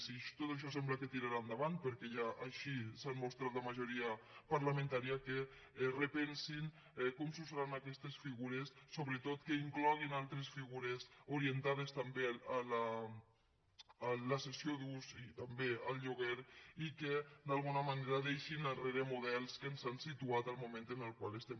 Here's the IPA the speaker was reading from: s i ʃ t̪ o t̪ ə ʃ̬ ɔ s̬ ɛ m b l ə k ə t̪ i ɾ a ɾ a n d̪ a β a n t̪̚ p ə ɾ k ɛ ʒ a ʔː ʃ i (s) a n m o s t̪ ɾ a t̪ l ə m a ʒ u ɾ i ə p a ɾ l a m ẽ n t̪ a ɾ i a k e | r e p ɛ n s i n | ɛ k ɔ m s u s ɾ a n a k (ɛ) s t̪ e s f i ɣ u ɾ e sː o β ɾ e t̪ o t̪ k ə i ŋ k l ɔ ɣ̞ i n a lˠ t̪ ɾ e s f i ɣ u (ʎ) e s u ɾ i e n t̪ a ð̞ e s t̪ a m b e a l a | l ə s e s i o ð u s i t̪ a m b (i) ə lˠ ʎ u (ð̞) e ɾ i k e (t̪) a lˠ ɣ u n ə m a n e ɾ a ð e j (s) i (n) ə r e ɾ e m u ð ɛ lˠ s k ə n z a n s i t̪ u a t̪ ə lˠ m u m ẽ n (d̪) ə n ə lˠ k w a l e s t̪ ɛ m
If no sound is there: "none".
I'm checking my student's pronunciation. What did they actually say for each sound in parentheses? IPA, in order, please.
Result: s, ɛ, ɾ, e, ɣ̞, d̪, ʃ, n, t̪

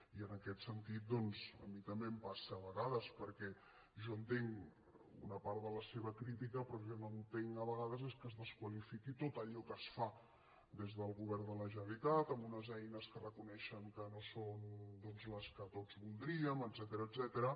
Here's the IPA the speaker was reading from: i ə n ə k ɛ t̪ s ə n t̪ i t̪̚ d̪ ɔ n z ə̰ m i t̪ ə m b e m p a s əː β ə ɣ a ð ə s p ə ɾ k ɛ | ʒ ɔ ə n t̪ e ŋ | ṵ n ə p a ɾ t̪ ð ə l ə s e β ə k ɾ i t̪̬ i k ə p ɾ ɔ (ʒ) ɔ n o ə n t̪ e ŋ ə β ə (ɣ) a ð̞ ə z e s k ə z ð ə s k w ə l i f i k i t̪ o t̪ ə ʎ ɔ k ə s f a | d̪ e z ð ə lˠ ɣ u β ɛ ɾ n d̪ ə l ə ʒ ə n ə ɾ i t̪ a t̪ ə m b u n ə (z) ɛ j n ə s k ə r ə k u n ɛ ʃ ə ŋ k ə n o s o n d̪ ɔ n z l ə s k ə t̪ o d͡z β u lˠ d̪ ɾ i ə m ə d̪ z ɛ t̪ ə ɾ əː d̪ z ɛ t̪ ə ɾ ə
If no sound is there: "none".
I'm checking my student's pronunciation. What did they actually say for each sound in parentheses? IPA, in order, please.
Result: ʒ, ɣ, z

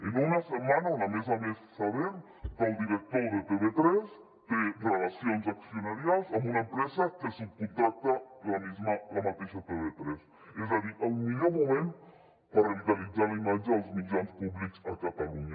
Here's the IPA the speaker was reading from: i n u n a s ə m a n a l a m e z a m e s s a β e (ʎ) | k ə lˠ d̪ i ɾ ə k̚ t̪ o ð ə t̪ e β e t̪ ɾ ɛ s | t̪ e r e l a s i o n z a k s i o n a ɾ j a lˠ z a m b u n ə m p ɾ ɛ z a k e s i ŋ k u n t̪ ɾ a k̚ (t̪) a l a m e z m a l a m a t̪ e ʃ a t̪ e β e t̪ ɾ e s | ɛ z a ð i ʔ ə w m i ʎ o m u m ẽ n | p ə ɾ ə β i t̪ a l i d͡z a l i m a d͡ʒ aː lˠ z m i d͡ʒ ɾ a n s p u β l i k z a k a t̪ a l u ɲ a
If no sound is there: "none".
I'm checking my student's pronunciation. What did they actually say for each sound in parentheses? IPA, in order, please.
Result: ɾ, t̪

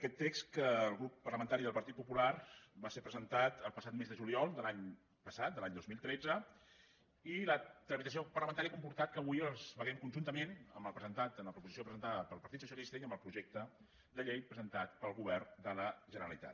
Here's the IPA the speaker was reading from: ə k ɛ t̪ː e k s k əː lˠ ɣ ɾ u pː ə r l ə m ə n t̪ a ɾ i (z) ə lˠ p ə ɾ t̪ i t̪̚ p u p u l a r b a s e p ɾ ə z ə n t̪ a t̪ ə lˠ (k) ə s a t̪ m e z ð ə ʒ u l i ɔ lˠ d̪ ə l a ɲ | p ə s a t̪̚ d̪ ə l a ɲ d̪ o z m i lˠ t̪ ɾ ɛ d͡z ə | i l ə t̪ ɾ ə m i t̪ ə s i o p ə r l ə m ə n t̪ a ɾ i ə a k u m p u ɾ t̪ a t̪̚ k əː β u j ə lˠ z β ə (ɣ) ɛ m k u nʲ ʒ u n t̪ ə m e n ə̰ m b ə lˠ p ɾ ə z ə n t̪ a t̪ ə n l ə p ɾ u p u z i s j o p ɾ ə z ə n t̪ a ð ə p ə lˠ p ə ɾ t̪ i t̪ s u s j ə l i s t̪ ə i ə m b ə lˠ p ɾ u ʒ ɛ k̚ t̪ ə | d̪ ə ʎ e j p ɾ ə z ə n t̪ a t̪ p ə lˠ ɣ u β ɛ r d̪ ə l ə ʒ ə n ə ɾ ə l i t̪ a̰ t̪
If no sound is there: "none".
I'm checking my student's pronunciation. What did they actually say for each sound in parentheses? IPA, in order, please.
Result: ð, p, ɣ

